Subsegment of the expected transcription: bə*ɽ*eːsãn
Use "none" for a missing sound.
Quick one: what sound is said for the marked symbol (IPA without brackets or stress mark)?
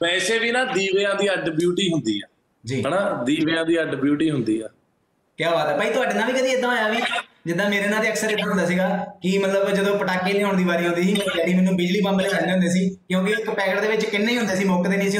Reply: l